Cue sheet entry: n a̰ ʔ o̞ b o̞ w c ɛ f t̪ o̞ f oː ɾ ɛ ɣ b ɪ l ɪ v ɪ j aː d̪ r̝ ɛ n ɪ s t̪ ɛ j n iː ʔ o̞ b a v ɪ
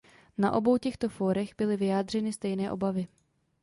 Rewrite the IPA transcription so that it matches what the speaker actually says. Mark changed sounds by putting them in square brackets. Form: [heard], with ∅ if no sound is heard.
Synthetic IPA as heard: n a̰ ʔ o̞ b o̞ w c ɛ [x] t̪ o̞ f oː ɾ ɛ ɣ b ɪ l ɪ v ɪ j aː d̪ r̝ ɛ n ɪ s t̪ ɛ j n [ɛː] ʔ o̞ b a v ɪ

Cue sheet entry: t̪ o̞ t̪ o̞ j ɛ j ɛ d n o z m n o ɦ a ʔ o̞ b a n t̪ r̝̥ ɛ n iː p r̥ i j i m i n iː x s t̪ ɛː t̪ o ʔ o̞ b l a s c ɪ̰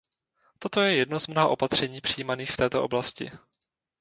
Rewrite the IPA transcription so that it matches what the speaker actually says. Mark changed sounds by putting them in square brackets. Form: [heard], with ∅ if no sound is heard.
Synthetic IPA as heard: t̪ o̞ t̪ o̞ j ɛ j ɛ d n o z m n o ɦ a ʔ o̞ [p] a [∅] t̪ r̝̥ ɛ [ɲ] iː p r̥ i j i m [a] n iː x [f] t̪ ɛː t̪ o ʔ o̞ b l a s c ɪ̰

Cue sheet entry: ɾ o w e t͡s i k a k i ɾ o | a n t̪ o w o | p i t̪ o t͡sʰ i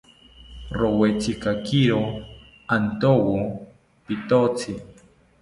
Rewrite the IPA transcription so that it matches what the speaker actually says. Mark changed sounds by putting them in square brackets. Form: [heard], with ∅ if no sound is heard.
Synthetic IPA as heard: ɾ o w e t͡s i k a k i ɾ o | a n t̪ o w o | p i t̪ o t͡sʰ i

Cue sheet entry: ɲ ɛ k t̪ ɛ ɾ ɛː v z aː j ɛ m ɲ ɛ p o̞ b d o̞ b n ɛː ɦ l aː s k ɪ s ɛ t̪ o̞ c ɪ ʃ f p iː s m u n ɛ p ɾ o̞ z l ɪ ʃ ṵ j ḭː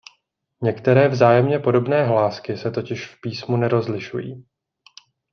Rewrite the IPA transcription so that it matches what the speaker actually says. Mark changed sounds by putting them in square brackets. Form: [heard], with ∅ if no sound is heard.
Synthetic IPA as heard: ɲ ɛ k t̪ ɛ ɾ ɛː v z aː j ɛ m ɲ ɛ p o̞ [∅] d o̞ b n ɛː ɦ l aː s k ɪ s ɛ t̪ o̞ c ɪ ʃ f p iː s m u n ɛ [∅] ɾ o̞ z l ɪ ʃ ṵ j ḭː

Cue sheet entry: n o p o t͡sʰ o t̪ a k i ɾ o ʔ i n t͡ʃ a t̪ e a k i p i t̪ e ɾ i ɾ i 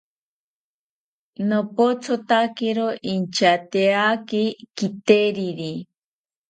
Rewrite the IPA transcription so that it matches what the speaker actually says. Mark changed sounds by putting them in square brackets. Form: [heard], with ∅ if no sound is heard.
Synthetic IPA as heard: n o p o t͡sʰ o t̪ a k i ɾ o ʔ i n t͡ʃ a t̪ e a k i [k] i t̪ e ɾ i ɾ i

